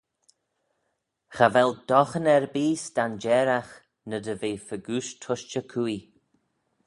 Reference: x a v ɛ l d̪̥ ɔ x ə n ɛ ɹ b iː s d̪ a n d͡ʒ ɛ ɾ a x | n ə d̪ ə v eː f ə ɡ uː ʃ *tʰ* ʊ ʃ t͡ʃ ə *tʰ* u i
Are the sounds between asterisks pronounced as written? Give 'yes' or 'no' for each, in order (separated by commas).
yes, no